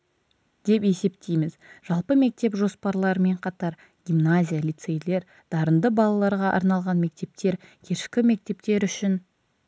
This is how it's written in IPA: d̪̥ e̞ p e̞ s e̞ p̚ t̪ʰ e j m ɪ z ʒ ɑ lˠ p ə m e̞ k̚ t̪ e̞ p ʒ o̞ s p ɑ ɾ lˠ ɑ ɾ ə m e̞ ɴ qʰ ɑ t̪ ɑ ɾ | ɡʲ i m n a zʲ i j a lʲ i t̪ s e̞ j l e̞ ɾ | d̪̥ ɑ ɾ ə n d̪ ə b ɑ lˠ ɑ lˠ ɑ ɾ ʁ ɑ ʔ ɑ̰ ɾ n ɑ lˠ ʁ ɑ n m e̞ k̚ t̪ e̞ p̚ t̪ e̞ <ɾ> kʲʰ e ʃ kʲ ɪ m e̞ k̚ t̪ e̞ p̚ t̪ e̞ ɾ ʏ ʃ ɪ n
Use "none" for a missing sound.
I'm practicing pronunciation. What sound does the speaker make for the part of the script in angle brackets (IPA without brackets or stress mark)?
ɾ